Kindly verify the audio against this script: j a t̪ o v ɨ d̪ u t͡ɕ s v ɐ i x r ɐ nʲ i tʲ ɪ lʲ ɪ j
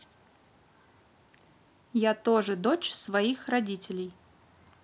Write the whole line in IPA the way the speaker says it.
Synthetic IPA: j a t̪ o ʐ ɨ d̪ o t͡ɕ s v ɐ i x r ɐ dʲ i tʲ ɪ lʲ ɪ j